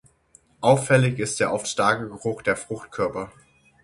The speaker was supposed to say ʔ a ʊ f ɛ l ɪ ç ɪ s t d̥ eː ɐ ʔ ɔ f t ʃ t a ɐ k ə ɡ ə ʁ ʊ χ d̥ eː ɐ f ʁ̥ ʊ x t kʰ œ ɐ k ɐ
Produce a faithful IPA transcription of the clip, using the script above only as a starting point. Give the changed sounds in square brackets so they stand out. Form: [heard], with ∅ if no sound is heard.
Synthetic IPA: ʔ a ʊ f ɛ l ɪ ç ɪ s t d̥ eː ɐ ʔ ɔ f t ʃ t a ɐ k ə ɡ ə ʁ ʊ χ d̥ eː ɐ f ʁ̥ ʊ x t kʰ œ ɐ [p] ɐ